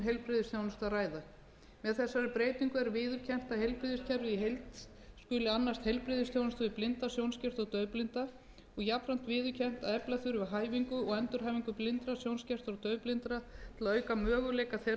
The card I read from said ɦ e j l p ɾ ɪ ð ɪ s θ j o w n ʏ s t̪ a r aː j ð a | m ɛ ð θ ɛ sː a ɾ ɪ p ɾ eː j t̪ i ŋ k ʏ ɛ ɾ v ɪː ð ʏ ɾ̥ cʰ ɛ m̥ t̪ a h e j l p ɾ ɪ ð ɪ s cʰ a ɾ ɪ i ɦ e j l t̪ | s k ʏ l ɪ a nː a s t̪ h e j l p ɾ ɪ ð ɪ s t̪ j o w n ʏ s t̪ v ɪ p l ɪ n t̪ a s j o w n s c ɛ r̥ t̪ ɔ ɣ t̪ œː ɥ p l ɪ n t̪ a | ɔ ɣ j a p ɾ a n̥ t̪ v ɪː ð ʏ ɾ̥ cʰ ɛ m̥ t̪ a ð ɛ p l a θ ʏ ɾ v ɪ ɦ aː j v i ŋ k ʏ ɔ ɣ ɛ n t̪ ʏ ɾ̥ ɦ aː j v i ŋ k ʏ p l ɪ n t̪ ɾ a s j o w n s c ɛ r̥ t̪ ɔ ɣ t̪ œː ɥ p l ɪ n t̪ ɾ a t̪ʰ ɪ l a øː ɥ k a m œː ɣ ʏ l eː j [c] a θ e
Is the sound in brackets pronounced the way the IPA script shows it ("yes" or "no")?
no